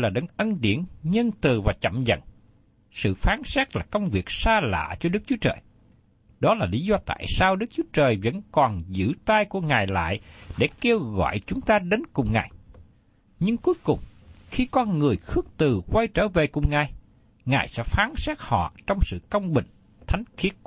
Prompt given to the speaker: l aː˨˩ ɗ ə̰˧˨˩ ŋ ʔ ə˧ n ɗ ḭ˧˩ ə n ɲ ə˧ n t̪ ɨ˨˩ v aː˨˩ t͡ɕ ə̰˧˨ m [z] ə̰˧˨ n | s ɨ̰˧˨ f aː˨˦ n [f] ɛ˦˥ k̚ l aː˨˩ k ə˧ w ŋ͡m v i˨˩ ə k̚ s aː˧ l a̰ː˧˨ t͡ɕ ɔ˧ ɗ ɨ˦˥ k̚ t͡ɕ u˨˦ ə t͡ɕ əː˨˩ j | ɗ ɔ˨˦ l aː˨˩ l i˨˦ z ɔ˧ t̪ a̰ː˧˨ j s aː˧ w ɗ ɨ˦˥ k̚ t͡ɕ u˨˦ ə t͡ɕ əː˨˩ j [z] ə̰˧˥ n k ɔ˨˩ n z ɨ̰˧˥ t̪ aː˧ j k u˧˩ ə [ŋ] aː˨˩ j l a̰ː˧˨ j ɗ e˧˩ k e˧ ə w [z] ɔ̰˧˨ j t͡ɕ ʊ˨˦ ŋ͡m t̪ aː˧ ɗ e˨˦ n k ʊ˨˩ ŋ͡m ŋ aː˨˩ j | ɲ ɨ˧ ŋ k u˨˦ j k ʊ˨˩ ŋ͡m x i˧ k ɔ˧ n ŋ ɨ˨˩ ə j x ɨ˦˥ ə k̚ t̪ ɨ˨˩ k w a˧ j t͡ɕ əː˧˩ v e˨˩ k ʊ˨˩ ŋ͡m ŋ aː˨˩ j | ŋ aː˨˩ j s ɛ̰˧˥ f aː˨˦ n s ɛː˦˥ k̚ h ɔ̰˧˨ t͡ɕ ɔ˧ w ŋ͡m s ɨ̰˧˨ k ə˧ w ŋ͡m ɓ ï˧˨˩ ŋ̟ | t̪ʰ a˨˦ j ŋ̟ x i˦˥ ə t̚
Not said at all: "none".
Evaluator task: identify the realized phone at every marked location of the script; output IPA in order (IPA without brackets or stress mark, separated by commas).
z, s, v, ŋ, ɣ